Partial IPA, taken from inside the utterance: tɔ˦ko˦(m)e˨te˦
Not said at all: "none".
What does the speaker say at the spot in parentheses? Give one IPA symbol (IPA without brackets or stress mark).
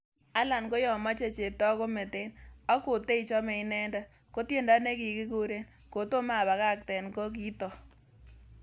m